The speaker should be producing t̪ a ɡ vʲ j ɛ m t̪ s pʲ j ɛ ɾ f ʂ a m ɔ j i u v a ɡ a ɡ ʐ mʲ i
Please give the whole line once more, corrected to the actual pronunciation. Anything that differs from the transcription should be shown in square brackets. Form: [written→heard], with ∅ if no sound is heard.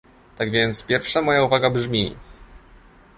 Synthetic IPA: t̪ a ɡ vʲ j ɛ [m→n] t̪ s pʲ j ɛ ɾ f ʂ a m ɔ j [i→a] u v a ɡ a [ɡ→b] ʐ mʲ i